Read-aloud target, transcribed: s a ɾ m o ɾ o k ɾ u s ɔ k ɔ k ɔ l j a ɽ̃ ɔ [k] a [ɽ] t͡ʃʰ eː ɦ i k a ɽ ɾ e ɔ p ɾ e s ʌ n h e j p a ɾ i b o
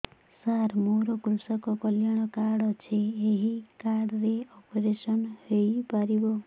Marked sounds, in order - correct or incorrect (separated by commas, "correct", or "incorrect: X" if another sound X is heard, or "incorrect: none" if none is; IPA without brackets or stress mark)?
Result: correct, correct